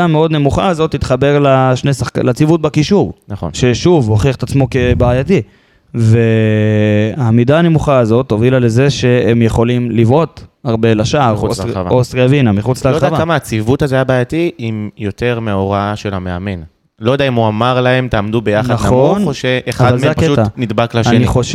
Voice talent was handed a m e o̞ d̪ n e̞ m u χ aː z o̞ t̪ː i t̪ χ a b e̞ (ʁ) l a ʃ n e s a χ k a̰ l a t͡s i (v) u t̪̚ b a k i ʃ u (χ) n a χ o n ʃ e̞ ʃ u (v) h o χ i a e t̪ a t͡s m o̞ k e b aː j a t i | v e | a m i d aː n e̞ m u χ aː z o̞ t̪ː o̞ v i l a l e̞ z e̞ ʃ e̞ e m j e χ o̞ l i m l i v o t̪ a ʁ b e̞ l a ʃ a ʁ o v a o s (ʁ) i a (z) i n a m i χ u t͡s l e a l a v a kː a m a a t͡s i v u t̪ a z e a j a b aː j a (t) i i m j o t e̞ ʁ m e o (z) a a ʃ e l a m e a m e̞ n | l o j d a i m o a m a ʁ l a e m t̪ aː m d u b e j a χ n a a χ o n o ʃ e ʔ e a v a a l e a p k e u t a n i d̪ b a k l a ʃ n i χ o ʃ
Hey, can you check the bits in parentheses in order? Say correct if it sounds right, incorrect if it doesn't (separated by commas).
correct, correct, incorrect, correct, correct, incorrect, correct, incorrect